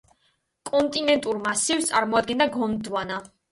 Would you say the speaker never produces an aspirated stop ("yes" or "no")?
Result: yes